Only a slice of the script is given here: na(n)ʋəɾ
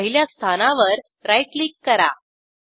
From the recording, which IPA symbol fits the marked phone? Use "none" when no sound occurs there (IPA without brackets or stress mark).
none